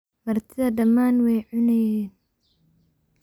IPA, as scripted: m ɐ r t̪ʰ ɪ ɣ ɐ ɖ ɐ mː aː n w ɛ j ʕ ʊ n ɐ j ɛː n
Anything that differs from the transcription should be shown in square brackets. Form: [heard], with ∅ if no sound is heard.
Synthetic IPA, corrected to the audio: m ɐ r t̪ʰ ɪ [ð] ɐ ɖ ɐ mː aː n w ɛ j ʕ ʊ n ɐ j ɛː n